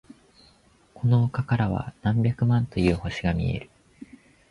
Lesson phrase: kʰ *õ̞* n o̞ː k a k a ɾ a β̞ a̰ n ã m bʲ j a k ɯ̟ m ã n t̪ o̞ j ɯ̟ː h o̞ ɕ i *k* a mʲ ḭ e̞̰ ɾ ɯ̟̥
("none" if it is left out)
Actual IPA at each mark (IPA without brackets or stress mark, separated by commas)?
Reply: o̞, ɡ